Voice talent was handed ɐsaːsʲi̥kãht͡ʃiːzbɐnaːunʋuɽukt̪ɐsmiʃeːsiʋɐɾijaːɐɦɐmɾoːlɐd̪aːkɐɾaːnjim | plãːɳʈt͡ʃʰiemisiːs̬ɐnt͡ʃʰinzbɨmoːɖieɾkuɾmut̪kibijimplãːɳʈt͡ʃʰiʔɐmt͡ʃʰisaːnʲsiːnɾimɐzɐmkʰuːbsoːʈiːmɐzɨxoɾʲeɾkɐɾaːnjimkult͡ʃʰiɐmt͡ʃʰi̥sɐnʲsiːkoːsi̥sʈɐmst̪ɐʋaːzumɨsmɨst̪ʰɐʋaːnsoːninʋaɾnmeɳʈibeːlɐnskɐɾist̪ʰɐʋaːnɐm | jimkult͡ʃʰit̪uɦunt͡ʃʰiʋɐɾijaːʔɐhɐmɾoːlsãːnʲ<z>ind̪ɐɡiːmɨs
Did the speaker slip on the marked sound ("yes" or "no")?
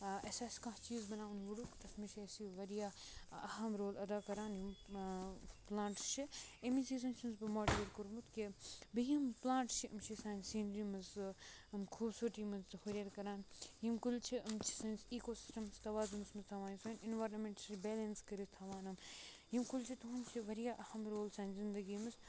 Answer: no